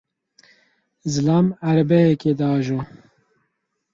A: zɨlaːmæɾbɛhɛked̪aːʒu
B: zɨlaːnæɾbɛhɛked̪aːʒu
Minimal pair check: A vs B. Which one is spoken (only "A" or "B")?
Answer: A